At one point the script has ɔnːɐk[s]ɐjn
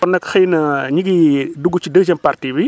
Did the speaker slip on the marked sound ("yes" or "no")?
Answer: yes